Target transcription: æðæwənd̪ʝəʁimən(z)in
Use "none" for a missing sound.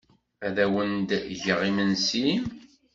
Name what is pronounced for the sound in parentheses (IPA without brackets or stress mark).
s